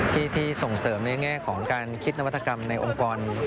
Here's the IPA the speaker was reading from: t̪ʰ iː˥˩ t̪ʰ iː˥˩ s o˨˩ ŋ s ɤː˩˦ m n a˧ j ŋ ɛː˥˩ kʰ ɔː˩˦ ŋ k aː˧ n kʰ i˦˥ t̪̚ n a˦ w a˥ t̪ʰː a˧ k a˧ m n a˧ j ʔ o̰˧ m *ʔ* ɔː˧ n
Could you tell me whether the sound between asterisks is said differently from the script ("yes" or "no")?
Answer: yes